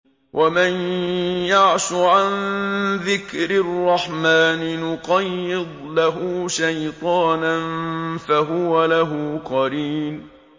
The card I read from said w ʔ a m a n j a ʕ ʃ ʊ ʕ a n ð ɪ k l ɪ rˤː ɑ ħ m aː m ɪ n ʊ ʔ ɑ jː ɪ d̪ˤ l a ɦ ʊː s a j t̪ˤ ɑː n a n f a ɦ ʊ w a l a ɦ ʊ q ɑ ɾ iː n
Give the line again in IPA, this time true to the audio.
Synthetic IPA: w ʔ a m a n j a ʕ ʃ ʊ ʕ a n ð ɪ k ɾ ɪ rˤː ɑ ħ m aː n ɪ n ʊ q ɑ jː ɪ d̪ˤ l a ɦ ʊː ʃ a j t̪ˤ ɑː n a n f a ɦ ʊ w a l a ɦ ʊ q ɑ ɾ iː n